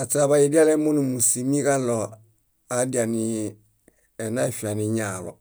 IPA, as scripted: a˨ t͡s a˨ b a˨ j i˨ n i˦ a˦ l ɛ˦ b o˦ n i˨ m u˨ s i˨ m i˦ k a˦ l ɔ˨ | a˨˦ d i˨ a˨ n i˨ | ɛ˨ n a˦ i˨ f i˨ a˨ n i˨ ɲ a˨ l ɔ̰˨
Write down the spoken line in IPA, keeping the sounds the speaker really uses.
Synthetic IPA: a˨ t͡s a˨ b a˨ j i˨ d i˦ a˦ l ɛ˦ m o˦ n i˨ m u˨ s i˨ m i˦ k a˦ l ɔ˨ | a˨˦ d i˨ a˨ n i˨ | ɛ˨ n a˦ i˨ f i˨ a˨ n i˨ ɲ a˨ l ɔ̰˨